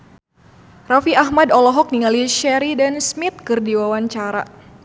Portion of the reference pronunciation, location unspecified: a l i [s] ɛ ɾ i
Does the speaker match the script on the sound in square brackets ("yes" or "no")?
no